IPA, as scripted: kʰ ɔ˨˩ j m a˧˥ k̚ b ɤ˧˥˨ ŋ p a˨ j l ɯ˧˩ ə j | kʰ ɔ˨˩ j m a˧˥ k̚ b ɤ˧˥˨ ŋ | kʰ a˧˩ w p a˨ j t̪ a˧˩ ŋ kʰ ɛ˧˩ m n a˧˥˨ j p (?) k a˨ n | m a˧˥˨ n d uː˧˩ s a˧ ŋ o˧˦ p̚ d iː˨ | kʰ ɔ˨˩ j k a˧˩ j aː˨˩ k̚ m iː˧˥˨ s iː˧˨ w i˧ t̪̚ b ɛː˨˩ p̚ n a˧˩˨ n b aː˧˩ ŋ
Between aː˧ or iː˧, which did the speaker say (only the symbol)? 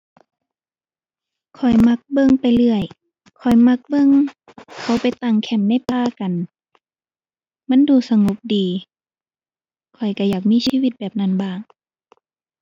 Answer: aː˧